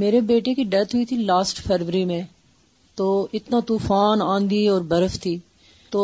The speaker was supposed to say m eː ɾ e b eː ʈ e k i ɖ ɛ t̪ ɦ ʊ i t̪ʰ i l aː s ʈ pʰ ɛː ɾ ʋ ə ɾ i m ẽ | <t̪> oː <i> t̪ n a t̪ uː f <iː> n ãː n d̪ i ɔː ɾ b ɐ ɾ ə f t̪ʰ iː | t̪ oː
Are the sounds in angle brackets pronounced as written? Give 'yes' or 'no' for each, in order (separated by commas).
yes, no, no